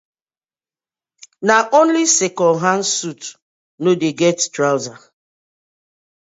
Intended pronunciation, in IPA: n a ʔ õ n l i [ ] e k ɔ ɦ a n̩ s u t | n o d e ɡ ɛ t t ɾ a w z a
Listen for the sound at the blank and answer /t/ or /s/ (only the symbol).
s